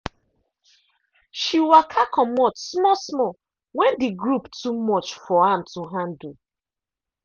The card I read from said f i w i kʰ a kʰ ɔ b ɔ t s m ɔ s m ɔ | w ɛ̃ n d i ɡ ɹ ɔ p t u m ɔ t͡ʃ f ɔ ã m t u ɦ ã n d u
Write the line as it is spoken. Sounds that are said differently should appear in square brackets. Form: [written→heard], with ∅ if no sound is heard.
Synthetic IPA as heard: [f→ʃ] i w [i→a] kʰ a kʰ ɔ [b→m] ɔ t s m ɔ s m ɔ | w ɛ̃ n d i ɡ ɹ [ɔ→u] p t u m ɔ t͡ʃ f ɔ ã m t u ɦ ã n d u